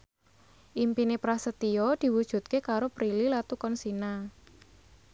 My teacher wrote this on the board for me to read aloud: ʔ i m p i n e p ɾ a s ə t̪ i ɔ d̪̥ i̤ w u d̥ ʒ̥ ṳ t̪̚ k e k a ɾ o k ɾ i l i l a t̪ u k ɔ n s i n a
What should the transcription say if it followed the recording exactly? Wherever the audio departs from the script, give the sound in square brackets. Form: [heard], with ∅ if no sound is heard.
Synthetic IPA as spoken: ʔ i m p i n e p ɾ a s ə t̪ i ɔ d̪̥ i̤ w u d̥ ʒ̥ ṳ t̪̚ k e k a ɾ o [p] ɾ i l i l a t̪ u k ɔ n s i n a